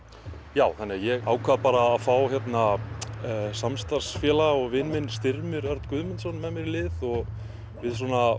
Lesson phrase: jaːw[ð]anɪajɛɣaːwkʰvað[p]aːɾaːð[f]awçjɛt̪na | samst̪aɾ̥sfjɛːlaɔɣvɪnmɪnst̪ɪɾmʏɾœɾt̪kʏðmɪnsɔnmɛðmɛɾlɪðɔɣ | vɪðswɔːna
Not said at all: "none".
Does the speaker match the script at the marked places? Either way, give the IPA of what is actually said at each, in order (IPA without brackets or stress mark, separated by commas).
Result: θ, p, f